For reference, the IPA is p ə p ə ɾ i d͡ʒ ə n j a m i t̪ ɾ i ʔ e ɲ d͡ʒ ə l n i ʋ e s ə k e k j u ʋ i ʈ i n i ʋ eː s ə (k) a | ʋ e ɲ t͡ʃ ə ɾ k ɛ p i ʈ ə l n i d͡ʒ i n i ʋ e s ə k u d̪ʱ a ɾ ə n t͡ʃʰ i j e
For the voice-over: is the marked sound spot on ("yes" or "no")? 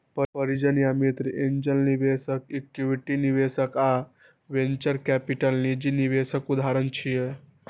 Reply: yes